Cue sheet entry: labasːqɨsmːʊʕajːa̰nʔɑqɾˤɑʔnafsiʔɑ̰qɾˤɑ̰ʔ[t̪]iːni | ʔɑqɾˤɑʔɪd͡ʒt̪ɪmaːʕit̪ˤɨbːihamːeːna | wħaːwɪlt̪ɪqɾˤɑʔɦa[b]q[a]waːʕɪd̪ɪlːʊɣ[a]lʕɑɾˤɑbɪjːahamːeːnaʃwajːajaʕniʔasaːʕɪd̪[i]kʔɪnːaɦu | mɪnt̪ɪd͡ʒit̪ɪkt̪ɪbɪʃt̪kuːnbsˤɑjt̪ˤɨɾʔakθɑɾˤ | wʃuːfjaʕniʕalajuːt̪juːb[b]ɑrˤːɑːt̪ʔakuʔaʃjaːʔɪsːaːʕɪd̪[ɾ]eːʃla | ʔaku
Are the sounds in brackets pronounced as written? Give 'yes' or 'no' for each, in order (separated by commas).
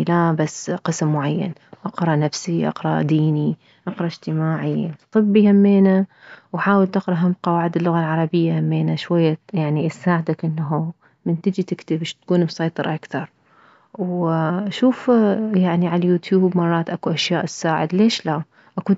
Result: no, no, no, yes, no, no, no